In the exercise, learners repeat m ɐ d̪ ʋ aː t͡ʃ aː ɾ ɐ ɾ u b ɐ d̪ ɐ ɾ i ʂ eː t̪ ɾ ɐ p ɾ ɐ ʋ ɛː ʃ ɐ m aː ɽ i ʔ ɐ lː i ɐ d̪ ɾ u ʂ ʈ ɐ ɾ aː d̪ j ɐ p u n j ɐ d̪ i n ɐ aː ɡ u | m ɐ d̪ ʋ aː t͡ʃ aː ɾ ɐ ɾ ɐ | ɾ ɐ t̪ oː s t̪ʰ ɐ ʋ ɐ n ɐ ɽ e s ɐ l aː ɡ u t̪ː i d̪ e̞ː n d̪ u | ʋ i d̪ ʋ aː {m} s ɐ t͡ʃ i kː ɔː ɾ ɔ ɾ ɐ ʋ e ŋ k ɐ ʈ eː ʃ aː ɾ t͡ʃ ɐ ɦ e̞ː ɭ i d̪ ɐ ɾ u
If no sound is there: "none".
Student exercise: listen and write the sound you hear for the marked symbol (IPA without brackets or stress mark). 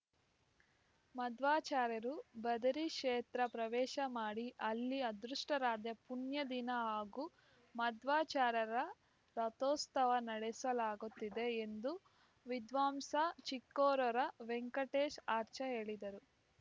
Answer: m